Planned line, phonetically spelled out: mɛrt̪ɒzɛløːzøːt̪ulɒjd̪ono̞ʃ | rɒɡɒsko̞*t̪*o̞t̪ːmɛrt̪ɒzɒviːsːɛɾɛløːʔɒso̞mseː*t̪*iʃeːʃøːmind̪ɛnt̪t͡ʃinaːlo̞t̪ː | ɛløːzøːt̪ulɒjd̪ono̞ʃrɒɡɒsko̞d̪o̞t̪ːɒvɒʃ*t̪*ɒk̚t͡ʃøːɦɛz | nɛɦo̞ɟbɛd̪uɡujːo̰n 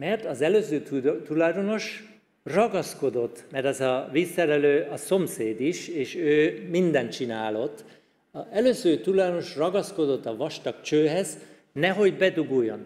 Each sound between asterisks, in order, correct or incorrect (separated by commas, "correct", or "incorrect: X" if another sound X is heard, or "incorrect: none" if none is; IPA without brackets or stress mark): incorrect: d̪, incorrect: d̪, correct